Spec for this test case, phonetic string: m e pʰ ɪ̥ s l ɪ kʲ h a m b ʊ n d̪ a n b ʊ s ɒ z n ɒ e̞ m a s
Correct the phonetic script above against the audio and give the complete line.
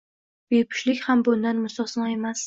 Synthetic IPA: b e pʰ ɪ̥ ʃ l ɪ kʲ h a m b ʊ n d̪ a n m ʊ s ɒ s n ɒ e̞ m a s